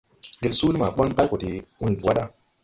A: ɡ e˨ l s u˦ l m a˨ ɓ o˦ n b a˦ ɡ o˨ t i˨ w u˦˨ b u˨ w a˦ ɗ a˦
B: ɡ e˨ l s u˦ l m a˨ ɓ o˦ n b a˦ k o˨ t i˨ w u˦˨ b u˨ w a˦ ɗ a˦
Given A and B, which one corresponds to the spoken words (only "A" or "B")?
B